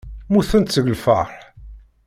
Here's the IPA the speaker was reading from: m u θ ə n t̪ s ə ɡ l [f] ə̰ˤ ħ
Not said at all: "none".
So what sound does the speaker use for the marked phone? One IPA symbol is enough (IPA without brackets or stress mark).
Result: f